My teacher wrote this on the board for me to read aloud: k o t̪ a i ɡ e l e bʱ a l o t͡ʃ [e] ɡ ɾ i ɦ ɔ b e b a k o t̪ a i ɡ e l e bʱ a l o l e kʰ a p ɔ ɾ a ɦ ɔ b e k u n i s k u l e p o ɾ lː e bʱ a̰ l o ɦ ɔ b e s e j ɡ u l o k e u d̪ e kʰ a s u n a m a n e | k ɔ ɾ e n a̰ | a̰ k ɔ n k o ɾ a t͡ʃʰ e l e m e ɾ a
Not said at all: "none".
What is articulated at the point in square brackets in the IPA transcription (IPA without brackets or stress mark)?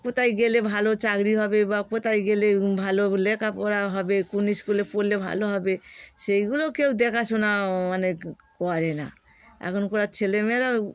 a